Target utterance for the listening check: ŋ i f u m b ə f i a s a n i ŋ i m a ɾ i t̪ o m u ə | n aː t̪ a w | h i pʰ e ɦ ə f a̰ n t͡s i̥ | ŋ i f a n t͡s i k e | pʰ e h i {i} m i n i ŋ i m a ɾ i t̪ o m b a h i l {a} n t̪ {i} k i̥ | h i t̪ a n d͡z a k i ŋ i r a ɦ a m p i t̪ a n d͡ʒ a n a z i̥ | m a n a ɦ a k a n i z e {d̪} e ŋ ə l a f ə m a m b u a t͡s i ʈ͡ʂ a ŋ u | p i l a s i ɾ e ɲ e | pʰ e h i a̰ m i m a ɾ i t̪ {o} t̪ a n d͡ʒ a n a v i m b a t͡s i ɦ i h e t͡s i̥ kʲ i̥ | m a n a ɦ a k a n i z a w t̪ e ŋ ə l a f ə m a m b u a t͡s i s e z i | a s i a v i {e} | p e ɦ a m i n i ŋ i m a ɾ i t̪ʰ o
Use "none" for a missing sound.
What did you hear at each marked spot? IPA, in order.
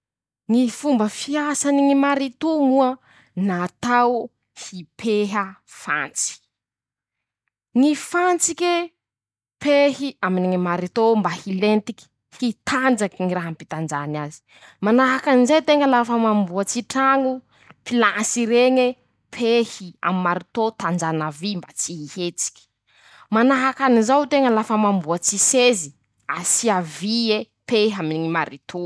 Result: a, e, i, t̪, o, e

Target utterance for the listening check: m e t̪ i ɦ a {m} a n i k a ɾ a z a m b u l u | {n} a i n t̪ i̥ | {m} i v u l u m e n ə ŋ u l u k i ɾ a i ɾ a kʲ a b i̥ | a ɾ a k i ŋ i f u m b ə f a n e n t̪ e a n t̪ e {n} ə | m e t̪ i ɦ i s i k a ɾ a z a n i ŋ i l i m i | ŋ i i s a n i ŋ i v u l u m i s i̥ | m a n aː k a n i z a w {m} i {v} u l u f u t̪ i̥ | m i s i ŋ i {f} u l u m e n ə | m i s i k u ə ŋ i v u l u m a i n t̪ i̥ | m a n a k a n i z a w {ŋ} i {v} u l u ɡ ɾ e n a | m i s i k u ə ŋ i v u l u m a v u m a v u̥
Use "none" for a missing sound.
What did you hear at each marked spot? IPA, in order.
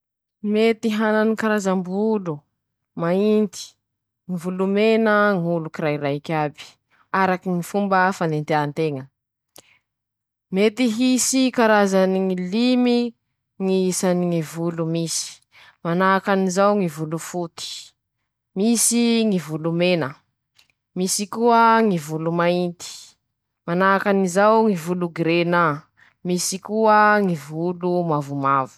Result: n, m, ŋ, ŋ, ŋ, v, v, ŋ, v

